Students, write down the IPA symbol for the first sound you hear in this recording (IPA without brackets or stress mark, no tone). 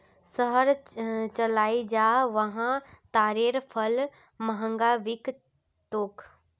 s